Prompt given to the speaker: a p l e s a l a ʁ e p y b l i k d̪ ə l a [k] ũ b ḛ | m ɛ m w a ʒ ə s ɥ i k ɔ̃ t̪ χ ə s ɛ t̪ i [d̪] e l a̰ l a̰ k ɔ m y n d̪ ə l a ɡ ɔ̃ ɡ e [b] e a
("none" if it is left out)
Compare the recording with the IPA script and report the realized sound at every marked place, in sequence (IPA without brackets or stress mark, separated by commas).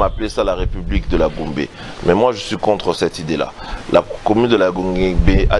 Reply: ɡ, d̪, b